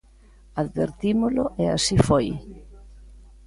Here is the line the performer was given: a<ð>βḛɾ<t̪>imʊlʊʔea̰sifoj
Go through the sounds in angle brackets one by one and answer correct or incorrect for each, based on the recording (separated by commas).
correct, correct